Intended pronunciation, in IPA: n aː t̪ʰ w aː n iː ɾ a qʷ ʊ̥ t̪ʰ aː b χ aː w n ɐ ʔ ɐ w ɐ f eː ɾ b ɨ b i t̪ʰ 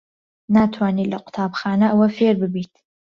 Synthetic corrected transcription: n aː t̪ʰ w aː n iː l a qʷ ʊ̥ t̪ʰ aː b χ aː n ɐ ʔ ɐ w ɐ f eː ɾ b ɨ b i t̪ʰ